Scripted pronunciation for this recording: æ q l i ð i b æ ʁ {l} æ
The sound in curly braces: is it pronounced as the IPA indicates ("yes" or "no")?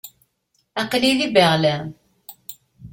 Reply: yes